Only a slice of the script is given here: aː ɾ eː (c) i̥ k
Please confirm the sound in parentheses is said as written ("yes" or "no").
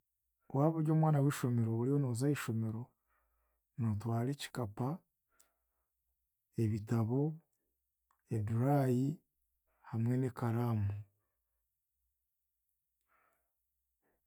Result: yes